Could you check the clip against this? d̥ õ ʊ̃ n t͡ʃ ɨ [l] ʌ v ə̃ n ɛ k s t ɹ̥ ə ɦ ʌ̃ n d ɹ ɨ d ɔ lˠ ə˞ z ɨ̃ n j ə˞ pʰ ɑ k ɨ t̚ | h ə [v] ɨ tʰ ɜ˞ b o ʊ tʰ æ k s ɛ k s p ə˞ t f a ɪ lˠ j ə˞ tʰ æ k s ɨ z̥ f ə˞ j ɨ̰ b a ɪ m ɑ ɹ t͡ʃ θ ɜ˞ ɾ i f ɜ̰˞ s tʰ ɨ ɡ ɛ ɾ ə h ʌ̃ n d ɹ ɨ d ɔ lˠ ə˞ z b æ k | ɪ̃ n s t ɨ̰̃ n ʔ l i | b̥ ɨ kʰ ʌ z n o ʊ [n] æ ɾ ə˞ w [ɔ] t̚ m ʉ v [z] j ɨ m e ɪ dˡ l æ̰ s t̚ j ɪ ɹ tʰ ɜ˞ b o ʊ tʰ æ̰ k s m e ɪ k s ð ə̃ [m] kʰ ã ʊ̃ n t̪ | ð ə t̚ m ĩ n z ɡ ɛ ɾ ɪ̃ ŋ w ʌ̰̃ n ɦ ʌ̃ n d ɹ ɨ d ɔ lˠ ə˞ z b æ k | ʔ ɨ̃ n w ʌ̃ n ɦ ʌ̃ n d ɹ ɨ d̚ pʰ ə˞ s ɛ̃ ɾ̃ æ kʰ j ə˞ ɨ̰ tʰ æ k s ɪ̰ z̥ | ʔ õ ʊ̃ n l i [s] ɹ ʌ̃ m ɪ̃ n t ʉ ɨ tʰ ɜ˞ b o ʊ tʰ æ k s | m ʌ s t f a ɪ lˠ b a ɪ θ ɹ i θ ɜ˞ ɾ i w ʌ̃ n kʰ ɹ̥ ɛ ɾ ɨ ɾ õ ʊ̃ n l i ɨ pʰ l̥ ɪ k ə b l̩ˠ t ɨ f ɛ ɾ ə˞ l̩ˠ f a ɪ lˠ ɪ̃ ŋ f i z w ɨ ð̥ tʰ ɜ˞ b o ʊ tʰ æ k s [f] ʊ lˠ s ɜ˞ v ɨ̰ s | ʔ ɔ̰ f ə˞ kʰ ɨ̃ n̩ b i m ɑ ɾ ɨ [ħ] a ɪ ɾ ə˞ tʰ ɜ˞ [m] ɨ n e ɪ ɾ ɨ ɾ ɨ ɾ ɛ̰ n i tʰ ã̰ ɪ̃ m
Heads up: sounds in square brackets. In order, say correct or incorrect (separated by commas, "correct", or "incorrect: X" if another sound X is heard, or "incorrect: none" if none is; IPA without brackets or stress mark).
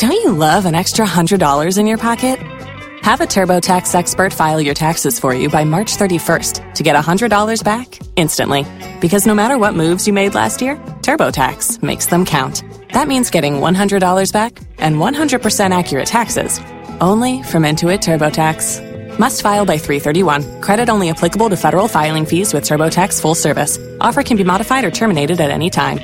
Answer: correct, correct, incorrect: m, incorrect: ʌ, correct, correct, incorrect: f, correct, incorrect: f, correct